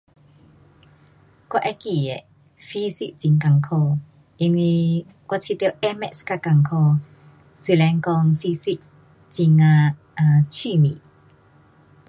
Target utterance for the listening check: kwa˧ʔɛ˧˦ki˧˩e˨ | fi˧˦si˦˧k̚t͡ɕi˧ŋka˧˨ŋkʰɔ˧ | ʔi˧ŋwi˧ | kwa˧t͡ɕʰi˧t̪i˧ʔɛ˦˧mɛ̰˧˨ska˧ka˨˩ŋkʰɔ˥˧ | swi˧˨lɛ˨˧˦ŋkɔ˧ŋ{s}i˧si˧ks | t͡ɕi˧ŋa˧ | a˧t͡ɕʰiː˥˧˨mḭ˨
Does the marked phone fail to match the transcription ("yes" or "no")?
yes